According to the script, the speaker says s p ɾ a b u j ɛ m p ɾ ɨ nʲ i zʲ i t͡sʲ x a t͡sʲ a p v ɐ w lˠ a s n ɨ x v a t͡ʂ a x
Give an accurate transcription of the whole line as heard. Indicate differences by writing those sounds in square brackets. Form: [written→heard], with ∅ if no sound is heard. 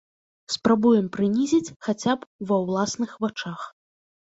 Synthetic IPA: s p ɾ a b u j ɛ m p ɾ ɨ nʲ i zʲ i t͡sʲ x a t͡sʲ a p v ɐ w lˠ a s n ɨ x v a t͡ʂ a x